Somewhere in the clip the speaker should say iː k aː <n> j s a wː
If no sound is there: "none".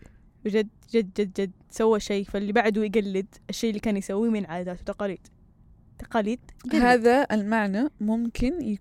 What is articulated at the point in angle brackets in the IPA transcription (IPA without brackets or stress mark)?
n